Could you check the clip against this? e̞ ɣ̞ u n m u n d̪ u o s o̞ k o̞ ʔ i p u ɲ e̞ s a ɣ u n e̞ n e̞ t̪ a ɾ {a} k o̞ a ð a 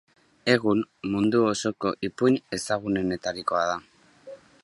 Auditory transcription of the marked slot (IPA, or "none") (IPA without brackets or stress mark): i